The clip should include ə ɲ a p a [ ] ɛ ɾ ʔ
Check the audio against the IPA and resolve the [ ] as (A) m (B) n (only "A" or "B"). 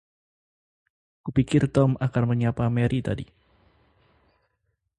A